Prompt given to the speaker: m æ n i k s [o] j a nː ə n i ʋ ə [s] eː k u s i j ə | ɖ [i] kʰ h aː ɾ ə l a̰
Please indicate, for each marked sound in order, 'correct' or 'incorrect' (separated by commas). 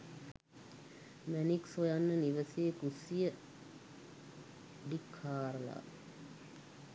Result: correct, correct, correct